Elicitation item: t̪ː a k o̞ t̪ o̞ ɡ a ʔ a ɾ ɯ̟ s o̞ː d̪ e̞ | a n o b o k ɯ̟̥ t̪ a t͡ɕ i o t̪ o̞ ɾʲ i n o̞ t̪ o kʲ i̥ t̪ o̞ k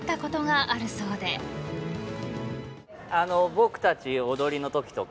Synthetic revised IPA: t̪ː a k o̞ t̪ o̞ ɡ a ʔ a ɾ ɯ̟ s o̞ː d̪ e̞ | a n o b o k ɯ̟̥ t̪ a t͡ɕ i o d̪ o̞ ɾʲ i n o̞ t̪ o kʲ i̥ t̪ o̞ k